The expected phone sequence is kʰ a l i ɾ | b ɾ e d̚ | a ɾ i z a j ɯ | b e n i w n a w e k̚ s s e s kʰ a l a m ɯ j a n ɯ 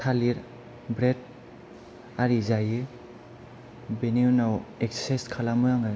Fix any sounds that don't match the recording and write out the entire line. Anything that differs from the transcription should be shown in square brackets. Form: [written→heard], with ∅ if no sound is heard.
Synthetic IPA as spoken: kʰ a l i ɾ | b ɾ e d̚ | a ɾ i z a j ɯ | b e n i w n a w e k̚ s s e s kʰ a l a m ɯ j a [n→ŋ] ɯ